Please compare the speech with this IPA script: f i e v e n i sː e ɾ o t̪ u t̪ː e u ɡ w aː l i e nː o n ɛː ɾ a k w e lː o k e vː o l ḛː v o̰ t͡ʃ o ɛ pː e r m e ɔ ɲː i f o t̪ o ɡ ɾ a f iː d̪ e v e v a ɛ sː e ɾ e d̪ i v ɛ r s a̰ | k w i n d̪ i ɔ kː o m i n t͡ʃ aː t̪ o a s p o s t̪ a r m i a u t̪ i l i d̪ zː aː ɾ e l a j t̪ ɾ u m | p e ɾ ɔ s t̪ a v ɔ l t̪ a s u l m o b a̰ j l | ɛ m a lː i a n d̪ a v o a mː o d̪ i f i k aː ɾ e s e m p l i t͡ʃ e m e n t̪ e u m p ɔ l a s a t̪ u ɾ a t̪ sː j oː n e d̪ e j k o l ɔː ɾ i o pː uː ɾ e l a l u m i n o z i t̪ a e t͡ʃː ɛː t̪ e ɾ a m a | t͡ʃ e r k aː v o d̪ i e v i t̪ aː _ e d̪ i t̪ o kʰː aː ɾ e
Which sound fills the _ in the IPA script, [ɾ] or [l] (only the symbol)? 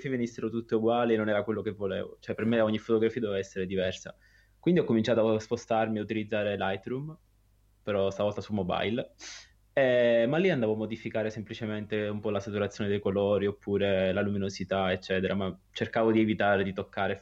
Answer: ɾ